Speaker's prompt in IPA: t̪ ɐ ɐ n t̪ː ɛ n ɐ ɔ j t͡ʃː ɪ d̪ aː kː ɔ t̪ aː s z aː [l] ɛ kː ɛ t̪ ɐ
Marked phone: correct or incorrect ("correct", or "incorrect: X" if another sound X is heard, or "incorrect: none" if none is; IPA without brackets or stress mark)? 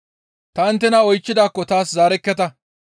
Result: incorrect: ɾ